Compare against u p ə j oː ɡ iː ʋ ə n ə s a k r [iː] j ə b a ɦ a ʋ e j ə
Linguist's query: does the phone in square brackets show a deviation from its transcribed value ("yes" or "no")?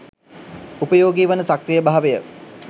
yes